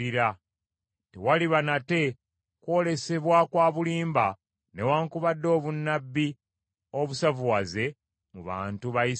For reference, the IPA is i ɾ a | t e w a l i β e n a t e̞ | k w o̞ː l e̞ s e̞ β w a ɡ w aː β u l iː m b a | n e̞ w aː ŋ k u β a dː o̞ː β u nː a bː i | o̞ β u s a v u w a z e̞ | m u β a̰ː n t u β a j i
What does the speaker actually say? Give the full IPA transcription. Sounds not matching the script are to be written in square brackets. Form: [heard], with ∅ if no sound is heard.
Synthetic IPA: i ɾ a | t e w a l i β [a] n a t e̞ | k w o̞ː l e̞ s e̞ β w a [k] w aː β u l iː m b a | n e̞ w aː ŋ k u β a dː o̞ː β u nː a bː i | o̞ β u s a v u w a z e̞ | m u β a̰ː n t u β a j i